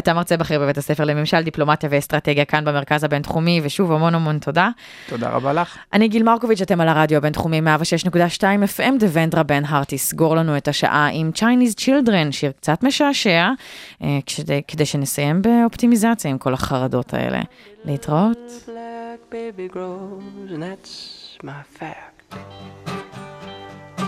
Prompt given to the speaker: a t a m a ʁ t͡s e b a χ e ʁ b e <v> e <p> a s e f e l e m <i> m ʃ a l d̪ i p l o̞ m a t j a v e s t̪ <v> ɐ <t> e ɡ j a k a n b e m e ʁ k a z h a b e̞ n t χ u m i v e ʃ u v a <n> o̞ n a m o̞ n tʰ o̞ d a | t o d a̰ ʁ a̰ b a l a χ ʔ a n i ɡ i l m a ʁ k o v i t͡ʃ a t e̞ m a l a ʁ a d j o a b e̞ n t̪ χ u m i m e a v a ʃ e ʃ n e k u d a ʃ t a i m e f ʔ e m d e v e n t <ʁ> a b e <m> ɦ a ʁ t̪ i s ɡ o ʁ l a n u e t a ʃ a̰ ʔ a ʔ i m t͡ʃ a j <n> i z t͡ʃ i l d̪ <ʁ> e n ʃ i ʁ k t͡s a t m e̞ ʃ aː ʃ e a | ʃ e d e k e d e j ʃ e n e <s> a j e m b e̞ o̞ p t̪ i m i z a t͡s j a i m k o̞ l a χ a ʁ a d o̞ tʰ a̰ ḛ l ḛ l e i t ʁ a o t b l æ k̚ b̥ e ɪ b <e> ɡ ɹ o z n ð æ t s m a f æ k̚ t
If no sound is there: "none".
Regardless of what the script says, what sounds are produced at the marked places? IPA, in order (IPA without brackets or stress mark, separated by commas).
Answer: v, t, e, ʁ, t, m, ʁ, n, n, ʁ, s, i